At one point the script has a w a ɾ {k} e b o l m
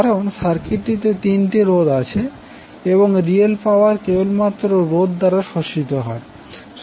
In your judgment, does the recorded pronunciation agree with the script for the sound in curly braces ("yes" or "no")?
yes